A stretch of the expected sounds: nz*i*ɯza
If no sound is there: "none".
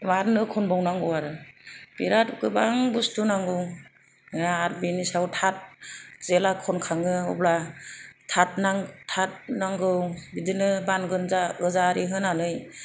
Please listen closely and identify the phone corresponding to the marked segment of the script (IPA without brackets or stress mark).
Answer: a